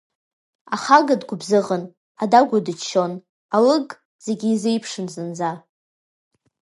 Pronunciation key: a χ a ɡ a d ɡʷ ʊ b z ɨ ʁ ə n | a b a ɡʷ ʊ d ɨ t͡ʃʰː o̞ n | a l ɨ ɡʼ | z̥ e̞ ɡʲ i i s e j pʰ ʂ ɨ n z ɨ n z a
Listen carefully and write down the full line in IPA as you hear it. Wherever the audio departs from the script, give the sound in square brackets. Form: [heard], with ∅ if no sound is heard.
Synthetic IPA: a χ a ɡ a d ɡʷ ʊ b z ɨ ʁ ə n | a [d] a ɡʷ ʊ d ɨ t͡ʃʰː o̞ n | a l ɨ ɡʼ | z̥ e̞ ɡʲ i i [z] e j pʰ ʂ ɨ n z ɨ n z a